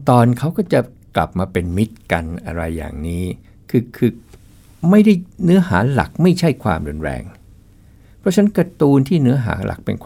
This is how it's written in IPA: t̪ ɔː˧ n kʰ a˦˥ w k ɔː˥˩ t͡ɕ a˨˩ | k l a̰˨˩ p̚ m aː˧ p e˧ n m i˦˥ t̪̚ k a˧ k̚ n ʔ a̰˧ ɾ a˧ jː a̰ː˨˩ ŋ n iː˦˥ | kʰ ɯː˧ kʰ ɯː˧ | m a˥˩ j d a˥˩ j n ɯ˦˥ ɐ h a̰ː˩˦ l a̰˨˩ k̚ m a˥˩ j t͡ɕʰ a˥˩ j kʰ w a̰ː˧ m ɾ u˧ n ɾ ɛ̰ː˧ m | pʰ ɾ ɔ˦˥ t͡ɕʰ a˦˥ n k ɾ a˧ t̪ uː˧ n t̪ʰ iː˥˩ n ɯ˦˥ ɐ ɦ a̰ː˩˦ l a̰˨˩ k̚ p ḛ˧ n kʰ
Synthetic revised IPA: t̪ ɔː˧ n kʰ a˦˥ w k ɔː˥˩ t͡ɕ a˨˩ | k l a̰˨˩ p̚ m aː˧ p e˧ n m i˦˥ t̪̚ k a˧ n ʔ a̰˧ ɾ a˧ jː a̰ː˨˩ ŋ n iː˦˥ | kʰ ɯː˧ kʰ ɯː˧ | m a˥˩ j d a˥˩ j n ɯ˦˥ ɐ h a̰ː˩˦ l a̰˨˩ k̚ m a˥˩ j t͡ɕʰ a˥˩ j kʰ w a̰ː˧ m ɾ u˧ n ɾ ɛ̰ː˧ ŋ | pʰ ɾ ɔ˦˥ t͡ɕʰ a˦˥ n k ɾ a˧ t̪ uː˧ n t̪ʰ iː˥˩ n ɯ˦˥ ɐ ɦ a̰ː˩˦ l a̰˨˩ k̚ p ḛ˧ n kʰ